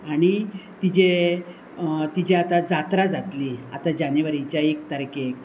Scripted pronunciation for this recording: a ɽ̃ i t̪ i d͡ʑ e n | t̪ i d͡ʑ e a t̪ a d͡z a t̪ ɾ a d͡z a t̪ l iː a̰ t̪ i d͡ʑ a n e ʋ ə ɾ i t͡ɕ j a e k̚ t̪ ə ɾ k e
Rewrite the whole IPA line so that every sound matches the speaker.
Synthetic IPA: a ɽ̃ i t̪ i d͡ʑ e | t̪ i d͡ʑ e a t̪ a d͡z a t̪ ɾ a d͡z a t̪ l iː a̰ t̪ a d͡ʑ a n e ʋ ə ɾ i t͡ɕ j a e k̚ t̪ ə ɾ k e